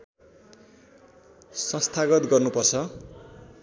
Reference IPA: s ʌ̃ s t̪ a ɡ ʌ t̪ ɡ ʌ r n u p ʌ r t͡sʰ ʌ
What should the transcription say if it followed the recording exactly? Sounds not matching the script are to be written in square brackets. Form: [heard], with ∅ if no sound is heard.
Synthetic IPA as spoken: s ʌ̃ s [t̪ʰ] a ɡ ʌ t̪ ɡ ʌ r n u p ʌ r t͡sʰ ʌ